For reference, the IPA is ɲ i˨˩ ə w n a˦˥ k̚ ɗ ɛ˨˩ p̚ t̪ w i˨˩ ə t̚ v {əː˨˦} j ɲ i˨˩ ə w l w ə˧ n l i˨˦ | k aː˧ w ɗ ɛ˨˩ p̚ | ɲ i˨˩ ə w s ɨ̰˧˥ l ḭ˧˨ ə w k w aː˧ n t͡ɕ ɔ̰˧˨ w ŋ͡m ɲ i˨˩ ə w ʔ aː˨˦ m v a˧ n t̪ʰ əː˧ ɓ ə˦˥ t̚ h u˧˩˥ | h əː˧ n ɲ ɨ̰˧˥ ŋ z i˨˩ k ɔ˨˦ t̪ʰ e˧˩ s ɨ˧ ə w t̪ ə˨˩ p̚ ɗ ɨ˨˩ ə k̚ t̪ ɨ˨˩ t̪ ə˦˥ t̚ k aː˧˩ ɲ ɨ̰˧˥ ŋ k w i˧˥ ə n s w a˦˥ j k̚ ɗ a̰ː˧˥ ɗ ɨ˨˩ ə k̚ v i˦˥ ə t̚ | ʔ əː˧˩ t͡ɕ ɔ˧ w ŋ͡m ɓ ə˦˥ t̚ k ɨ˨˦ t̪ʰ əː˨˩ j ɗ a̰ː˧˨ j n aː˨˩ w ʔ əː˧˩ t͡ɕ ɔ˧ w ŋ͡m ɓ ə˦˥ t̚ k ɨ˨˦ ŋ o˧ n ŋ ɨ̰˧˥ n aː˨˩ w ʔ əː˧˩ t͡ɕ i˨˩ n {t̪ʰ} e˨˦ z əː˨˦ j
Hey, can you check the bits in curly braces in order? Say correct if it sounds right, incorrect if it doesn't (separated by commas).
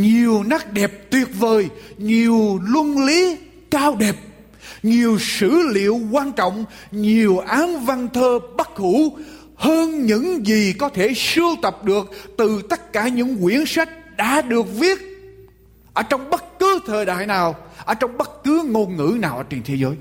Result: incorrect, correct